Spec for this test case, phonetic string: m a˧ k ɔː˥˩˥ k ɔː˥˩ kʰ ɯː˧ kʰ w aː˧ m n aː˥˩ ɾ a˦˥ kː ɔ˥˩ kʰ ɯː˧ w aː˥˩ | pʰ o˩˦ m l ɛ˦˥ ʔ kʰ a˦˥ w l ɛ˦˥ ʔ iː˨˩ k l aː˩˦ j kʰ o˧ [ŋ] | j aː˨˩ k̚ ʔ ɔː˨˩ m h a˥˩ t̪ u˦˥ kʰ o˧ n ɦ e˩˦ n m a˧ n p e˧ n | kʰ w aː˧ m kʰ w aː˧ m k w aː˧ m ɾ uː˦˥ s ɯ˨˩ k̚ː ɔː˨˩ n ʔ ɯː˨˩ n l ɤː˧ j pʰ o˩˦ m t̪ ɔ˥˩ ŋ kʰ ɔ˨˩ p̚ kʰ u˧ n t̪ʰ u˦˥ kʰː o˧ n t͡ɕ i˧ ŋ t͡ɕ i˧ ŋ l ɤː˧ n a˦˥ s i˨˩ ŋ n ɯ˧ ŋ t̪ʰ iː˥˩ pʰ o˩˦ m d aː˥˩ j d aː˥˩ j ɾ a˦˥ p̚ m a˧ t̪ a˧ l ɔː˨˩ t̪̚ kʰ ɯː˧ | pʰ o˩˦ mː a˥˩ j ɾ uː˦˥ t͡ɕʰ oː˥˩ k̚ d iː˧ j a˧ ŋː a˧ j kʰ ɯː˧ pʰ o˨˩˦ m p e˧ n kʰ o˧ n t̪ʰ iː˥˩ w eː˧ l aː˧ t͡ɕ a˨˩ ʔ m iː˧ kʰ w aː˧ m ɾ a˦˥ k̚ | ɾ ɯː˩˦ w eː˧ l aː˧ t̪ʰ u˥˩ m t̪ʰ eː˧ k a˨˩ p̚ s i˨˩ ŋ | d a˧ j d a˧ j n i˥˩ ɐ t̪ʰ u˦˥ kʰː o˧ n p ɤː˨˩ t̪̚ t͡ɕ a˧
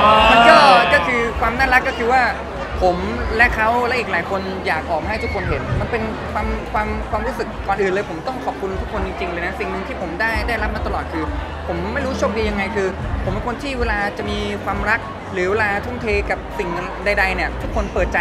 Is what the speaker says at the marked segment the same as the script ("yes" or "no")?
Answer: no